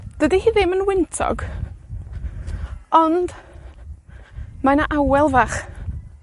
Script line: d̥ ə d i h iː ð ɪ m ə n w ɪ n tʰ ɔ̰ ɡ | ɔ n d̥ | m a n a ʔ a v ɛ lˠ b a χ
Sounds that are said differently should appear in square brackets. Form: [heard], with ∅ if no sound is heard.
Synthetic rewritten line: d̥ ə d i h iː ð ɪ m ə n w ɪ n tʰ ɔ̰ ɡ | ɔ n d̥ | m a n a ʔ a [w] ɛ lˠ [v] a χ